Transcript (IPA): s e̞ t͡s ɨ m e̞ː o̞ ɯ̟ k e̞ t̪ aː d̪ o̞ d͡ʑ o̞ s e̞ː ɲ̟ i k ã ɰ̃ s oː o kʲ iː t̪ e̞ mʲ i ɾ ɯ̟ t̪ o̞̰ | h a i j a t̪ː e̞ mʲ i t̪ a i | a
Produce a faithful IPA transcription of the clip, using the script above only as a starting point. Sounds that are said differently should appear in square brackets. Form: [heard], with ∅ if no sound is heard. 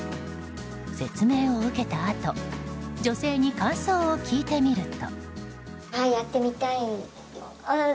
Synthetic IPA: s e̞ t͡s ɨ m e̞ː o̞ ɯ̟ k e̞ t̪ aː [t̪] o̞ d͡ʑ o̞ s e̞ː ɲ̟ i k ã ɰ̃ s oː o kʲ iː t̪ e̞ mʲ i ɾ ɯ̟ t̪ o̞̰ | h a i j a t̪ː e̞ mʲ i t̪ a i | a